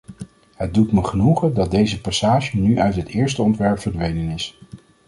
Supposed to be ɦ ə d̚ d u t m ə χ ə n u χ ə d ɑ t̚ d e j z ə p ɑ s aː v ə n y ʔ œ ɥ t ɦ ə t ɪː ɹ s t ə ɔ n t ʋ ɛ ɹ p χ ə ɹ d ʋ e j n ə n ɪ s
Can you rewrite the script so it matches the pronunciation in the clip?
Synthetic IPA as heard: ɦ ə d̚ d u t m ə χ ə n u χ ə d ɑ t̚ d e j z ə p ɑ s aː ʒ ə n y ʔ œ ɥ t ɦ ə t ɪː ɹ s t ə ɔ n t ʋ ɛ ɹ p f ə ɹ d ʋ e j n ə n ɪ s